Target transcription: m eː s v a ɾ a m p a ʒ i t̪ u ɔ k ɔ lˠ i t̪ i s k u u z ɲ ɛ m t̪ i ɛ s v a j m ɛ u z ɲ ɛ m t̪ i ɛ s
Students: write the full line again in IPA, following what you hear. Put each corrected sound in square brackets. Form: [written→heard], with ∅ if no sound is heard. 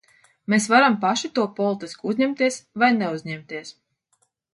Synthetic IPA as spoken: m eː s v a ɾ a m p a [ʒ→ʃ] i t̪ u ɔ [k→p] ɔ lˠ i t̪ i s k u u z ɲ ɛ m t̪ i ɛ s v a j [m→n] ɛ u z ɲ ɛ m t̪ i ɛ s